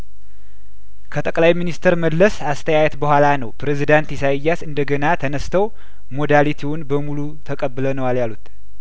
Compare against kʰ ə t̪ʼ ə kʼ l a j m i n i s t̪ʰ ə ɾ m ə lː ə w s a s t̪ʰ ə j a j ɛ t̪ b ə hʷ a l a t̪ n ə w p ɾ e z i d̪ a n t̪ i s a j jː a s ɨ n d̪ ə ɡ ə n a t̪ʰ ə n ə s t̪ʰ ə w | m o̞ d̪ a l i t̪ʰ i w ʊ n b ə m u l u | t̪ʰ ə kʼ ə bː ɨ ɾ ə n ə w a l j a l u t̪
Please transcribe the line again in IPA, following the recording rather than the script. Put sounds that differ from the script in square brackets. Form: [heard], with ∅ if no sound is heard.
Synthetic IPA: kʰ ə t̪ʼ ə kʼ l a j m i n i s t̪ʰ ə ɾ m ə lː ə [∅] s a s t̪ʰ ə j a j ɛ t̪ b ə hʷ a l a [∅] n ə w p ɾ e z i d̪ a n t̪ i s a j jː a s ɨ n d̪ ə ɡ ə n a t̪ʰ ə n ə s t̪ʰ ə w | m o̞ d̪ a l i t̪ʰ i w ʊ n b ə m u l u | t̪ʰ ə kʼ ə bː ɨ [l] ə n ə w a l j a l u t̪